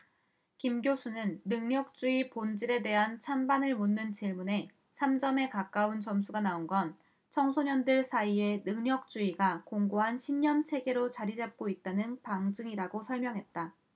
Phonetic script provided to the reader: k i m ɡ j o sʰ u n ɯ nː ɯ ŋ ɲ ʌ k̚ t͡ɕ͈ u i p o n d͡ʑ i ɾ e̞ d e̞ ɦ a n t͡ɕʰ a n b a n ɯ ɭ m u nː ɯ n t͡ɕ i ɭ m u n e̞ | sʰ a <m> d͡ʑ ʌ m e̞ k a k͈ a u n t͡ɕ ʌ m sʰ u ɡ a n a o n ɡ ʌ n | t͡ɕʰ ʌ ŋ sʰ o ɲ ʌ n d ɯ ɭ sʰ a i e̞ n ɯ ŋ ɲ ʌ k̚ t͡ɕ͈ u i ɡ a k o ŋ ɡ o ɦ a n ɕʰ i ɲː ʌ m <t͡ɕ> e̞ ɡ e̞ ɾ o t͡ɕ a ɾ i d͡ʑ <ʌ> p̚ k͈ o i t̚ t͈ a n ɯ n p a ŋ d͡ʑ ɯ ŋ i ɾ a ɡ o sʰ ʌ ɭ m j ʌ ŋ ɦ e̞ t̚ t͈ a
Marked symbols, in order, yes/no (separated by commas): yes, no, no